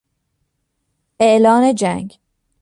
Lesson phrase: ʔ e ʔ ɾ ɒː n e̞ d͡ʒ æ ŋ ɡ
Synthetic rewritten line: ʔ e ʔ l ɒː n e̞ d͡ʒ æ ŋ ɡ